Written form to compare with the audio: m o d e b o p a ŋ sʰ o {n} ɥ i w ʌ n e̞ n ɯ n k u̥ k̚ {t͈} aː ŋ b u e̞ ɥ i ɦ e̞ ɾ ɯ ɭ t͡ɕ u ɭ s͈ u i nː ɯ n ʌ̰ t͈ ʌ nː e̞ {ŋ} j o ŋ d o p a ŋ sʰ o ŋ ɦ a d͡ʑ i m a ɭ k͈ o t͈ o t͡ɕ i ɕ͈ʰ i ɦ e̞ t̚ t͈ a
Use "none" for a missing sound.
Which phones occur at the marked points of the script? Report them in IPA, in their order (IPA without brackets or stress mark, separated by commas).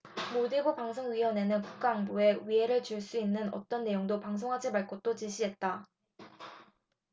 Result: ŋ, k͈, none